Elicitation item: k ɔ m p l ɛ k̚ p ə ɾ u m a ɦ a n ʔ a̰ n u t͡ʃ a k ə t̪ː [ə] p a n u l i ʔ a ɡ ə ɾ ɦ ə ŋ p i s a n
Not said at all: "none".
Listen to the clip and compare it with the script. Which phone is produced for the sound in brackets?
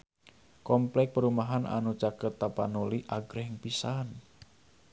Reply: a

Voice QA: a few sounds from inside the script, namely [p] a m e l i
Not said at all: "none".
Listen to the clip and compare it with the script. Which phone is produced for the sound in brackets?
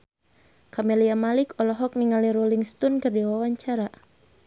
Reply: k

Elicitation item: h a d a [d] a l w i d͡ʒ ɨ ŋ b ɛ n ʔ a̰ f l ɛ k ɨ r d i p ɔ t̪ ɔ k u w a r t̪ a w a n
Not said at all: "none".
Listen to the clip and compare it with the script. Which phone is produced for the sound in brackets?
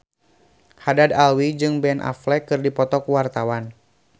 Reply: d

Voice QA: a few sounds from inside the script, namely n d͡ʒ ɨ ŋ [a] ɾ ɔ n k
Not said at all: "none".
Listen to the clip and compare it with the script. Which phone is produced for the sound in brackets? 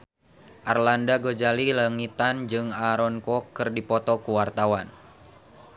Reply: a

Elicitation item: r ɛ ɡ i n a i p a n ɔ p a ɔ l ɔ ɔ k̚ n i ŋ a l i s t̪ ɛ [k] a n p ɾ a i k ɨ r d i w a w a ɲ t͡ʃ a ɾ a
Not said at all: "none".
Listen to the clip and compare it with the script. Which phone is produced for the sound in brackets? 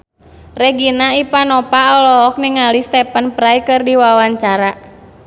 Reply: p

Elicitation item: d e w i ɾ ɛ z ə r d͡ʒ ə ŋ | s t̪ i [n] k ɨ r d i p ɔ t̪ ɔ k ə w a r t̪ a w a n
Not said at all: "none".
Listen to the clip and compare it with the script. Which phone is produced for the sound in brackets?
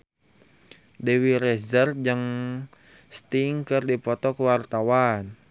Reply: ŋ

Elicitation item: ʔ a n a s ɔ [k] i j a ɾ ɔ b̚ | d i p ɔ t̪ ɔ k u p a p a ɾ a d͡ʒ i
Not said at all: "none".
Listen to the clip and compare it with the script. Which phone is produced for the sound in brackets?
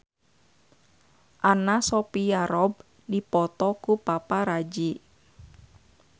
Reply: p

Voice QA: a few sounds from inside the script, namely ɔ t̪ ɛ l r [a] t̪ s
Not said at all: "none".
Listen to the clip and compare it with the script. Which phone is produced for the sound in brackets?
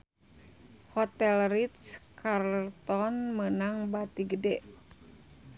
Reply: i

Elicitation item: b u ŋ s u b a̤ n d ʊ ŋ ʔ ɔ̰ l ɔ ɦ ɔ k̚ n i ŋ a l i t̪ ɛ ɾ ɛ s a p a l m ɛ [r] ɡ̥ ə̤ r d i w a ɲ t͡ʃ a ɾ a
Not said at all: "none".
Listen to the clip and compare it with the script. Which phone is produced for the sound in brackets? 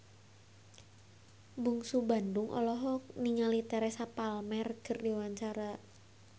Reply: r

